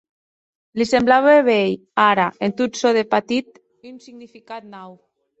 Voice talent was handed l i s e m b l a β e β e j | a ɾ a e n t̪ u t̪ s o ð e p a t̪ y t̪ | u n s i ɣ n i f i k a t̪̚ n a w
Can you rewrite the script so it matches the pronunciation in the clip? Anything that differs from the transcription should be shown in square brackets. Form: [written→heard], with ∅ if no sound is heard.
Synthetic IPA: l i s e m b l a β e β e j | a ɾ a e n t̪ u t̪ s o ð e p a t̪ [y→i] t̪ | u n s i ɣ n i f i k a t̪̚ n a w